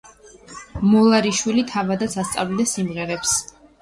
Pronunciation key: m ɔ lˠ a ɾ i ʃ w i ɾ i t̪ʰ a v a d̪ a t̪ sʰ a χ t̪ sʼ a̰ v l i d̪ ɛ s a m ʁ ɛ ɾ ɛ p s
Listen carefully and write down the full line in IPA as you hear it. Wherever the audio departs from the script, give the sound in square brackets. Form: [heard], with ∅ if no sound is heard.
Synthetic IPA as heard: m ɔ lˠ a ɾ i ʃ w i [l] i t̪ʰ a v a d̪ a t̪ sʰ a [s] t̪ sʼ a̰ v l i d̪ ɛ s [i] m ʁ ɛ ɾ ɛ p s